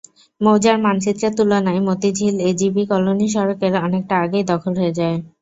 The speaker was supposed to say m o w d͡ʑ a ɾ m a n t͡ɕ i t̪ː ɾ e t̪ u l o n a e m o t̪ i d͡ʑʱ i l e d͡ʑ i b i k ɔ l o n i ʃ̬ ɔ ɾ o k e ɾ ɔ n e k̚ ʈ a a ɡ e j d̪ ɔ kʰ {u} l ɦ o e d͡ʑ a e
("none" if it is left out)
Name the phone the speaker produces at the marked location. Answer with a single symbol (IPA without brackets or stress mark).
o